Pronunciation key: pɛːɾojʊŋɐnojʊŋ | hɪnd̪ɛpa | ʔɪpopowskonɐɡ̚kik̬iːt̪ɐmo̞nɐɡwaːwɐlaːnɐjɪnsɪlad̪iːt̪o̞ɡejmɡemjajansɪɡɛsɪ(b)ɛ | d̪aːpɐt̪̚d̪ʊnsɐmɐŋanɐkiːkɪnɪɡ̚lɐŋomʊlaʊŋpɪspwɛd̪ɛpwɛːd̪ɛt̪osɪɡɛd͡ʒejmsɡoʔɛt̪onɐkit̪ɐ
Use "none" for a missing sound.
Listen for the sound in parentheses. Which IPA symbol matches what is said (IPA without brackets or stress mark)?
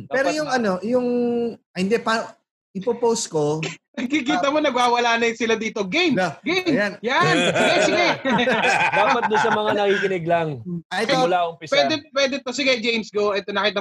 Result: ɡ